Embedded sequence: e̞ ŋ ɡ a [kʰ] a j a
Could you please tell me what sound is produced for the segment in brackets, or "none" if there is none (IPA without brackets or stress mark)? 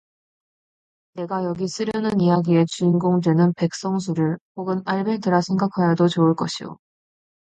kʰ